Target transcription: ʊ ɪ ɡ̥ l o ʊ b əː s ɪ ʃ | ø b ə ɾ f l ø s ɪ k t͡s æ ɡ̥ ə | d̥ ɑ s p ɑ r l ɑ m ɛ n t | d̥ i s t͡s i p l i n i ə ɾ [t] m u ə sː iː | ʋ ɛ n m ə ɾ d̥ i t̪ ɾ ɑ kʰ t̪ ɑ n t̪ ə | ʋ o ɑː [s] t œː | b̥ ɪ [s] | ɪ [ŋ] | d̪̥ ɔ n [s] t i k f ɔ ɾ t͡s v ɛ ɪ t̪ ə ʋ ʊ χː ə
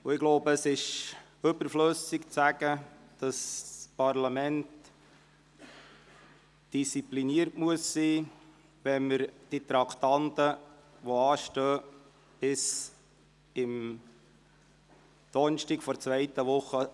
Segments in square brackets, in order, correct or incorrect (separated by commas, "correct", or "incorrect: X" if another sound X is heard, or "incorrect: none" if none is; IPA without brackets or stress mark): correct, incorrect: ʃ, correct, incorrect: m, incorrect: ʃ